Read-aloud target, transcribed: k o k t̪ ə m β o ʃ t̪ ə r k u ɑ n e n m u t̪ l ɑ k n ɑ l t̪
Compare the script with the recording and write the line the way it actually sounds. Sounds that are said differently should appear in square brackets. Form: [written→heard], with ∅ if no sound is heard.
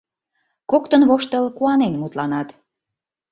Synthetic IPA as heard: k o k t̪ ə [m→n] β o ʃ t̪ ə [r→l] k u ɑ n e n m u t̪ l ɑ [k→∅] n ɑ [l→∅] t̪